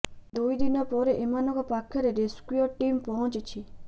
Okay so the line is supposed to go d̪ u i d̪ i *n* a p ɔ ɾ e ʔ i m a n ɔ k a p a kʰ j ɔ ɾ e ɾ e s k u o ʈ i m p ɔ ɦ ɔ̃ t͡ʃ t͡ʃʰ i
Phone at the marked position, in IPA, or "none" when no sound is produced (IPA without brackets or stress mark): n